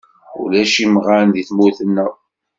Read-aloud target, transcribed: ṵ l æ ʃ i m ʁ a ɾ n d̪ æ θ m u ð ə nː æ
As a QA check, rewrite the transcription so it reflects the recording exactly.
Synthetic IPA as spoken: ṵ l æ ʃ i m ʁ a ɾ n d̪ i θ m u θ ə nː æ